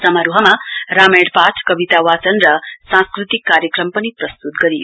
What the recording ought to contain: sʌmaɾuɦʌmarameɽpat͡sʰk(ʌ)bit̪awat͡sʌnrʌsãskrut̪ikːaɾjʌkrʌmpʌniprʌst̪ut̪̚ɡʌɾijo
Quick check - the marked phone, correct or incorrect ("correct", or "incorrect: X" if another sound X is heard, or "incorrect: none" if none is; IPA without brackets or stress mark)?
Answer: correct